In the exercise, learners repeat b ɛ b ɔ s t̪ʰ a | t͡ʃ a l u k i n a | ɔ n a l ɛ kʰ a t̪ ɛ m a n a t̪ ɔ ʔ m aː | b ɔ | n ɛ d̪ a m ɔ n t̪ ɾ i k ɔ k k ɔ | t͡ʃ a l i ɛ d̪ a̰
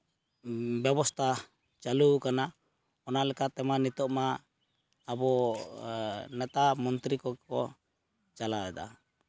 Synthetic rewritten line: b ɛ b ɔ s t̪ʰ a | t͡ʃ a l u k a n a | ɔ n a l ɛ k a t̪ ɛ m a n i t̪ ɔ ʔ m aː | b ɔ | n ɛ t̪ a m ɔ n t̪ ɾ i k ɔ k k ɔ | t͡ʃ a l a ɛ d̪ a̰